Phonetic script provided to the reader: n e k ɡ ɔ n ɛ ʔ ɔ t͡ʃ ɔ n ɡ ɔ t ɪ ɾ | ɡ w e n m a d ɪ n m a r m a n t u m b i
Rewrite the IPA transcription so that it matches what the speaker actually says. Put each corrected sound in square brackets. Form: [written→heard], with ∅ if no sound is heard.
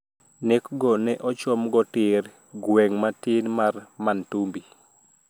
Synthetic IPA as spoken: n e k ɡ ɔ n ɛ ʔ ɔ t͡ʃ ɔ [n→m] ɡ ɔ t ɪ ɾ | ɡ w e [n→ŋ] m a [d→t] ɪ n m a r m a n t u m b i